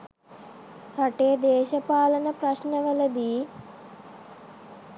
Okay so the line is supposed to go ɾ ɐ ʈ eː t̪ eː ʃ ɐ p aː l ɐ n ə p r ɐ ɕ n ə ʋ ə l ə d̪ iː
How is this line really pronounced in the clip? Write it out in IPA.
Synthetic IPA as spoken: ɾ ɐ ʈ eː d̪ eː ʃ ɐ p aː l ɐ n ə p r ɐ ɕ n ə ʋ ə l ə d̪ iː